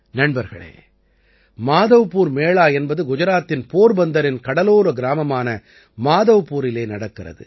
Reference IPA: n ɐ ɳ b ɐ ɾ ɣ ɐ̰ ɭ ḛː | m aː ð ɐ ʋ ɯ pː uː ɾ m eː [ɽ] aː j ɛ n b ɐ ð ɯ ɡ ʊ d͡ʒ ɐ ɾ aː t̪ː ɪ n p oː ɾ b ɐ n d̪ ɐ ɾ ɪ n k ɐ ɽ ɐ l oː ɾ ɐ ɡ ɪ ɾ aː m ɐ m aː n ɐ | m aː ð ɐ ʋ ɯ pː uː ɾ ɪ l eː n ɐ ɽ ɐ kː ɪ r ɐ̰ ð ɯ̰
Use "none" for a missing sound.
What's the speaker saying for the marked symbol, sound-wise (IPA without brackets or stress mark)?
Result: ɭ